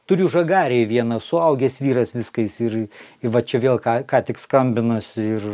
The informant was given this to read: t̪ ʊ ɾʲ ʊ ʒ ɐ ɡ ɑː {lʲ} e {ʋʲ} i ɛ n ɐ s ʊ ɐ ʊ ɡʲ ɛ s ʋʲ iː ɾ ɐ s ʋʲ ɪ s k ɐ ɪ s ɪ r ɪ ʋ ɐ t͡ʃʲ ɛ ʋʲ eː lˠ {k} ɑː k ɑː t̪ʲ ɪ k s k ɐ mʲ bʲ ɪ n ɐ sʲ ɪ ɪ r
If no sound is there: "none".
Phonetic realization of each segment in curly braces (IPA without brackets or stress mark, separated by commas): ɾʲ, ʋʲ, k